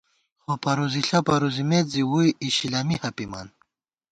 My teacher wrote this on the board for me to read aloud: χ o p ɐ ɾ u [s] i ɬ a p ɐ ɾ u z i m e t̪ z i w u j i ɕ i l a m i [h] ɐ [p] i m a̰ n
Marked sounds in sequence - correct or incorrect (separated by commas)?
incorrect, correct, correct